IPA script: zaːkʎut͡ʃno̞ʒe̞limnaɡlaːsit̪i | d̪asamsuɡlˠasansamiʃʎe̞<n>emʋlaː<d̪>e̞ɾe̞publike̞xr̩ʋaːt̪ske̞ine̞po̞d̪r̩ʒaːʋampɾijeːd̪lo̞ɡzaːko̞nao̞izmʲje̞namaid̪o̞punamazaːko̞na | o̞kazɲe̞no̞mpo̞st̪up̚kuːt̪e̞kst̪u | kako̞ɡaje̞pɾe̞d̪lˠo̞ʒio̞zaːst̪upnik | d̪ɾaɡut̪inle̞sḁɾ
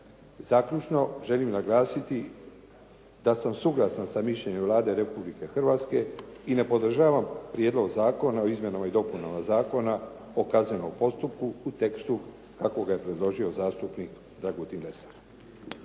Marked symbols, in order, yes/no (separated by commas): no, yes